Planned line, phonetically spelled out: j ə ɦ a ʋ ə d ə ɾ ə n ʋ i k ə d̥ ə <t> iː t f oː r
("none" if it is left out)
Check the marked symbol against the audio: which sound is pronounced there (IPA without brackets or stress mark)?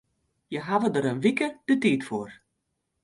t